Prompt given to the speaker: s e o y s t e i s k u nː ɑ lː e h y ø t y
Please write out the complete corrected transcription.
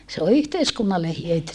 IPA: s e o y h t e i s k u nː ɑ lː e h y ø t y

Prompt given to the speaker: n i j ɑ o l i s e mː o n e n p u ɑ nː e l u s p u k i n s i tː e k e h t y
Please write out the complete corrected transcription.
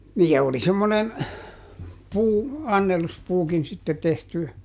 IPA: n iː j ɑ o l i s e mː o n e n p uː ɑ nː e l u s p uː k i n s i tː e t e h t y

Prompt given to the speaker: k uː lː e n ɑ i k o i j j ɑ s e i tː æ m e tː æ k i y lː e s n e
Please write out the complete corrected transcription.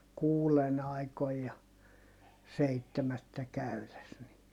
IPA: k uː l e n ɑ i k o i j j ɑ s e i tː e m æ tː æ k æ y l e s n i

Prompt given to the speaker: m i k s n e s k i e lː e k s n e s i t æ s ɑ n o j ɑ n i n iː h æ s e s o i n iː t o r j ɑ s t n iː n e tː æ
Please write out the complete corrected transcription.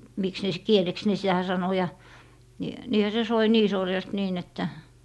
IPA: m i k s n e s k i e l e k s n e s i t æ s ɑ n o j ɑ n i n iː h æ s e s o i n iː s o r j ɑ s t n iː n e tː æ

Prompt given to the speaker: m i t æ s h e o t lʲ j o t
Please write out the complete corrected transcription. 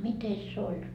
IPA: m i t e s s e o lʲ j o t

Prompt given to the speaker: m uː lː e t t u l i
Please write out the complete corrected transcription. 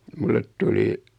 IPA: m u lː e t t u l i

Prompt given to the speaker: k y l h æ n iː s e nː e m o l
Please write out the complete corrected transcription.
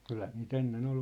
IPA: k y l h æ n iː t e nː e n o l

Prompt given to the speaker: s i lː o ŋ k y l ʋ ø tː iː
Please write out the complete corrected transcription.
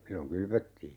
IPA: s i lː o ŋ k y l ʋ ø tː iː

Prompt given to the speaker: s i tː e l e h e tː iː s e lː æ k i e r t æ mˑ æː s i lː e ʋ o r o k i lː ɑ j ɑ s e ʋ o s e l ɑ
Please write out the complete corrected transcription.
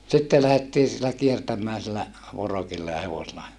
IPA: s i tː e l æ h e tː iː s i lː æ k i e r t æ mˑ æː s i lː æ ʋ o r o k i lː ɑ j ɑ h e ʋ o s e l ɑ

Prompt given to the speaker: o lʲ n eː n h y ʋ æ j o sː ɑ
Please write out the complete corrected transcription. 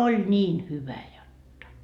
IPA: o lʲ n iː n h y ʋ æ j o tː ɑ

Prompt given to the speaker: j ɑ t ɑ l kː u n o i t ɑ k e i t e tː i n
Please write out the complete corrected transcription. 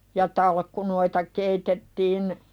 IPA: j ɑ t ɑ l kː u n o i t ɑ k e i t e tː iː n

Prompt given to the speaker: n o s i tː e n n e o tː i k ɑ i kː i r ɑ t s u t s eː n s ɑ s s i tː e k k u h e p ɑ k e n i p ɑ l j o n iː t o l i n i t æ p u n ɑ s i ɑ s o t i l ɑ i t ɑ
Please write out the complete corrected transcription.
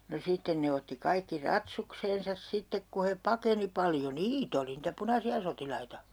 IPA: n o s i tː e n n e o tː i k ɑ i kː i r ɑ t s u k s eː n s ɑ s s i tː e k k u h e p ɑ k e n i p ɑ l j o n iː t o l i n i t æ p u n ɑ s i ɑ s o t i l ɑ i t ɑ

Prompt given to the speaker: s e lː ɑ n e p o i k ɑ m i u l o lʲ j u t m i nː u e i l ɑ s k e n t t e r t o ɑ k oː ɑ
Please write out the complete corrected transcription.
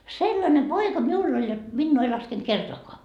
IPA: s e lː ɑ n e p o i k ɑ m i u lː o lʲ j o t m i nː uː e i l ɑ s k e n t k e r t o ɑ k o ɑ

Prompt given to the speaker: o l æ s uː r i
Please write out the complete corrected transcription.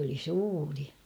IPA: o l i s uː r i

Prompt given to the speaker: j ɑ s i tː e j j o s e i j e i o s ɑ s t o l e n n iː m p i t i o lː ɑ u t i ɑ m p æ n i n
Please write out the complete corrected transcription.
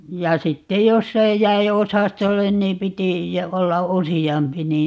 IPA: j ɑ s i tː e j j o sː e i j æ i o s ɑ s t o lː e n n iː m p i t i o lː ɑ u s i ɑ m p i n iː n

